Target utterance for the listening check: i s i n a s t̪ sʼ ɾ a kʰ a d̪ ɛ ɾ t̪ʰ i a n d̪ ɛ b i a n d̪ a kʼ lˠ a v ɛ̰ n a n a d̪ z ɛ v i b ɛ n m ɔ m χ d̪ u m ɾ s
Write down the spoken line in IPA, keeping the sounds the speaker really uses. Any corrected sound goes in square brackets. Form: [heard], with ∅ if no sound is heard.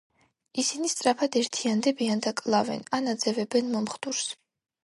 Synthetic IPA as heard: i s i n [i] s t̪ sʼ ɾ a [pʰ] a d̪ ɛ ɾ t̪ʰ i a n d̪ ɛ b i a n d̪ a kʼ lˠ a v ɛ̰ n a n a d̪ z ɛ v [ɛ] b ɛ n m ɔ m χ d̪ u [∅] ɾ s